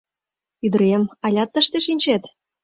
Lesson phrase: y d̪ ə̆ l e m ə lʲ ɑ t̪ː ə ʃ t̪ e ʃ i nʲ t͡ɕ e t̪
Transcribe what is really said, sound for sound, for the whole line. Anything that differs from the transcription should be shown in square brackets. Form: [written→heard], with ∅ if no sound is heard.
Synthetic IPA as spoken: y d̪ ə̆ [l→ɾ] e m [ə→ɑ] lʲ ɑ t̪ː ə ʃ t̪ e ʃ i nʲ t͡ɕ e t̪